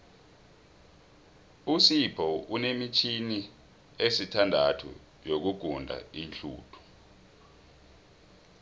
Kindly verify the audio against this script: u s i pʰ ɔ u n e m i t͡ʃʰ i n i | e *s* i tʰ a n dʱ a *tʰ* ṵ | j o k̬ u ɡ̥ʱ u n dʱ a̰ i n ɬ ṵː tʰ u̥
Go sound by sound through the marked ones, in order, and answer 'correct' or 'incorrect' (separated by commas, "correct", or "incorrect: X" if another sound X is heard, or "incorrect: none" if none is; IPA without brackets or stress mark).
correct, correct